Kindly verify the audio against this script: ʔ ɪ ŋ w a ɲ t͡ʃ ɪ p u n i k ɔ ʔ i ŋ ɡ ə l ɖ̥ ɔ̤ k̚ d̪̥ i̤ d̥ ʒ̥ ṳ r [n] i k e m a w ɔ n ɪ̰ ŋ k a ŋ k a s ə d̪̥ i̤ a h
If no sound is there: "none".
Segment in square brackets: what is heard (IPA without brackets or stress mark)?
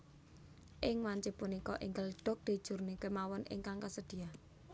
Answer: n